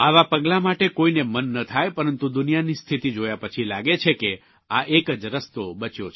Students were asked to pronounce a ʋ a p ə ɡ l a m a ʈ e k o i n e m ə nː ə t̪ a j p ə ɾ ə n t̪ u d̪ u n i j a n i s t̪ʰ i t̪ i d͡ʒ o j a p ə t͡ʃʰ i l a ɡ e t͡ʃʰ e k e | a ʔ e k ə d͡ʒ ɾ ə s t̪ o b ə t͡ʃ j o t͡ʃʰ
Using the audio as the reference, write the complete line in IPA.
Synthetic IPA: a ʋ a p ə ɡ l a m a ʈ e k o i n e m ə nː ə t̪ʰ a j p ə ɾ ə n t̪ u d̪ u n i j a n i s t̪ʰ i t̪ i d͡ʒ o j a p ə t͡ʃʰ i l a ɡ e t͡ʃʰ e k e | a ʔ e k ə d͡ʒ ɾ ə s t̪ o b ə t͡ʃ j o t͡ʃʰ